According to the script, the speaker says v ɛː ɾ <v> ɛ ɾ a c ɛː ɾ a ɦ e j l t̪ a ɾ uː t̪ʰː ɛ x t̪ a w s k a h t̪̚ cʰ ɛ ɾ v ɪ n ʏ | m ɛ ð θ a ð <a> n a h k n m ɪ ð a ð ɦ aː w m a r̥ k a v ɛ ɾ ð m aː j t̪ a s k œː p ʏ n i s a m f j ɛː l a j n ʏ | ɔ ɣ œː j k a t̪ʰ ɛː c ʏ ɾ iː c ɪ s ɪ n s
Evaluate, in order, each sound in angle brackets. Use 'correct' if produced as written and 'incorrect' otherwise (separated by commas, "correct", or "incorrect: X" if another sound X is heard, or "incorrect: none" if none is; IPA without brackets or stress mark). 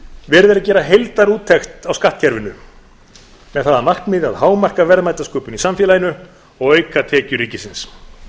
incorrect: ð, correct